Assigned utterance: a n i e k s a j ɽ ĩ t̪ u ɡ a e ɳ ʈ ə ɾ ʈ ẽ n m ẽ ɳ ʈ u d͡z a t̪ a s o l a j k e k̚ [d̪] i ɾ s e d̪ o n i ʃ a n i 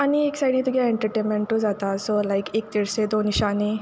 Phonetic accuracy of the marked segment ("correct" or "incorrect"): incorrect